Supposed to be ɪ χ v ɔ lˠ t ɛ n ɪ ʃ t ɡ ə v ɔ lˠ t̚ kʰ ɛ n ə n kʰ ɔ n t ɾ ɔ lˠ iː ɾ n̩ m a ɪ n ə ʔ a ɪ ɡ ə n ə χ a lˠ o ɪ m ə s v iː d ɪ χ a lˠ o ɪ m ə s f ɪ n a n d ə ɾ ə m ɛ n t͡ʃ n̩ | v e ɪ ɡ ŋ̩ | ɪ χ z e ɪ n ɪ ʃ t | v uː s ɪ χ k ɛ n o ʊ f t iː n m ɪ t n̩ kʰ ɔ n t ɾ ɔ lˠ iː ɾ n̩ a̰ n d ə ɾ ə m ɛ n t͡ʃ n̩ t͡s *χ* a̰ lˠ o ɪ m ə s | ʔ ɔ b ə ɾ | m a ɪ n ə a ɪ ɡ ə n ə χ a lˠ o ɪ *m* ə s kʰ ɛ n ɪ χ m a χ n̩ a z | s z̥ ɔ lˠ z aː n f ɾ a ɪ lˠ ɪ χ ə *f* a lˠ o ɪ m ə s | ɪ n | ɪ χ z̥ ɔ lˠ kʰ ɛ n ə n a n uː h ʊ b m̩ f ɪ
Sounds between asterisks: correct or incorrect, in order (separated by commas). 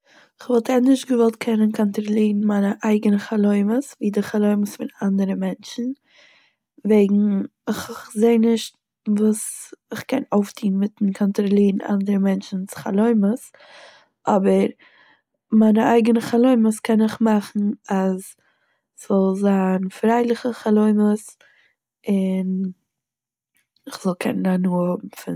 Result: correct, correct, incorrect